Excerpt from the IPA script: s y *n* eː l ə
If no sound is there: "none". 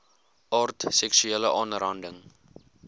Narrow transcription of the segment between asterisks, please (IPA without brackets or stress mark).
none